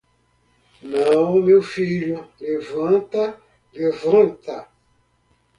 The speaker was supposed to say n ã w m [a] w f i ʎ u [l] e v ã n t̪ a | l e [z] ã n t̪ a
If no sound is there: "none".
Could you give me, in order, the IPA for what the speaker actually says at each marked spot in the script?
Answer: e, l, v

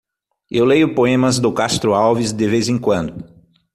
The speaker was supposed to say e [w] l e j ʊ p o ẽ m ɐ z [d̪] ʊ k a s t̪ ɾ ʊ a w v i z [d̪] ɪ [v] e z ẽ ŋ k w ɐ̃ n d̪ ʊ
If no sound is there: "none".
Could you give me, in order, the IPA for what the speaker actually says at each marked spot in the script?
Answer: w, d̪, d̪, v

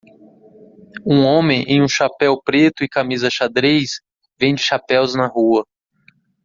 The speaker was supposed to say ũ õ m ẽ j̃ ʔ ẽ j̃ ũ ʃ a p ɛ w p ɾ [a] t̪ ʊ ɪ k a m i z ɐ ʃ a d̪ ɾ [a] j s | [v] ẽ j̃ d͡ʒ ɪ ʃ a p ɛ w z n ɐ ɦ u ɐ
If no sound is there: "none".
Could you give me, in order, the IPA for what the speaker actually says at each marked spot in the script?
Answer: e, e, v

